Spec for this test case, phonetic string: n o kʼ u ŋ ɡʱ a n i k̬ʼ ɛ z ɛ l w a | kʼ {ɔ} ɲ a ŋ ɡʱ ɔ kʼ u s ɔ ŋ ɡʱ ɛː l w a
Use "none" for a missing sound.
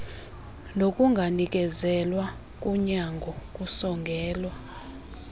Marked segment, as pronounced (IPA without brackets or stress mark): u